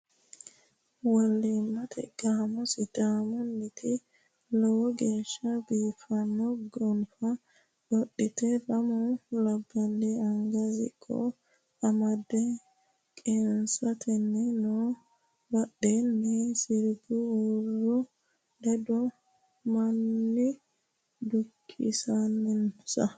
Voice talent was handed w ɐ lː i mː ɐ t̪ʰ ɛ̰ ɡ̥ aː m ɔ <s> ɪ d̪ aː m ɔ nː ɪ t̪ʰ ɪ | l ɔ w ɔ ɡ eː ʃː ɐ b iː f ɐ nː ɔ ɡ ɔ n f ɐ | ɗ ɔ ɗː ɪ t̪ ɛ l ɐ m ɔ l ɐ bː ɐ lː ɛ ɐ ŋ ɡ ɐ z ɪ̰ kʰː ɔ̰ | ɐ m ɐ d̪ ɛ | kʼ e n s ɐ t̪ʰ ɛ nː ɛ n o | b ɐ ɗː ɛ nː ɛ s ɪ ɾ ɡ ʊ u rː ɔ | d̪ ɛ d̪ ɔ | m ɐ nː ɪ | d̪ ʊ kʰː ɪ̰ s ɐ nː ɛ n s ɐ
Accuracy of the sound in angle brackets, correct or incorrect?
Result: correct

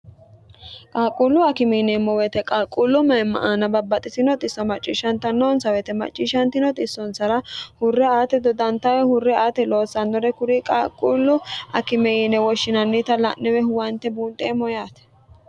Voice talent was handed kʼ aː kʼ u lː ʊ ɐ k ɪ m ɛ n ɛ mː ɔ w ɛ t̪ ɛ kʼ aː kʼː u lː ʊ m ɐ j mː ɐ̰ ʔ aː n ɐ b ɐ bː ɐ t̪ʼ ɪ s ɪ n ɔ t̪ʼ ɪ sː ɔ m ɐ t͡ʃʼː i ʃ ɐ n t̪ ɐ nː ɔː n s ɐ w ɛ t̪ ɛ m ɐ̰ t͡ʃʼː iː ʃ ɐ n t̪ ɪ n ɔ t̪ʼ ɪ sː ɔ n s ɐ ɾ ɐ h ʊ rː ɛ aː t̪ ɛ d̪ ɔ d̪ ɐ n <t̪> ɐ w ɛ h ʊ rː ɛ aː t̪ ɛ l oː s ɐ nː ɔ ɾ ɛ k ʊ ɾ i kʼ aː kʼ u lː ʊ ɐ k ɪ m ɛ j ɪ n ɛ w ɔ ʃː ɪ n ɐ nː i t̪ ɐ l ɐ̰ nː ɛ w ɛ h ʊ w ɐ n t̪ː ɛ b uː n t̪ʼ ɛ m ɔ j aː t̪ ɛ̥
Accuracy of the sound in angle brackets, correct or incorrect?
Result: correct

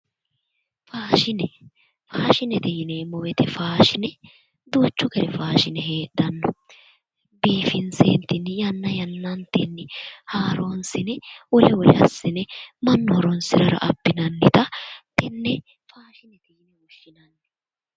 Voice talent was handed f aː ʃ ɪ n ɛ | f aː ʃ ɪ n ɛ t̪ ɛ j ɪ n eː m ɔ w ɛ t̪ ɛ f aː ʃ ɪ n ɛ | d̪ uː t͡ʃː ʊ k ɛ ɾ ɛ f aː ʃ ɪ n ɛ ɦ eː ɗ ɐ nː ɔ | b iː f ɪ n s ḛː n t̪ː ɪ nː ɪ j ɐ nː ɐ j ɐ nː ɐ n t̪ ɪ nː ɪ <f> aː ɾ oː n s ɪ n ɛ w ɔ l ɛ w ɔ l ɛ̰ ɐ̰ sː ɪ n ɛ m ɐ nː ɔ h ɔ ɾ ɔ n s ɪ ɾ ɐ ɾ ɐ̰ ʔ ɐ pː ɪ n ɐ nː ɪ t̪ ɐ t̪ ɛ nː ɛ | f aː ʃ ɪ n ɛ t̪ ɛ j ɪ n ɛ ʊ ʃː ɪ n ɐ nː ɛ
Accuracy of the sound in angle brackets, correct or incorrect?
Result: incorrect: h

